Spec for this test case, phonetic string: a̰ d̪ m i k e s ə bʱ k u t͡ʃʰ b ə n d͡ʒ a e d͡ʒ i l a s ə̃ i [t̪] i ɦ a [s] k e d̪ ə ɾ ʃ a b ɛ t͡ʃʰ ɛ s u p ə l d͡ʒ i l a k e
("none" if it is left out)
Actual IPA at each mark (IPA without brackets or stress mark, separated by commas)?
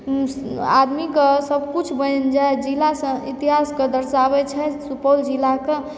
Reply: t̪, s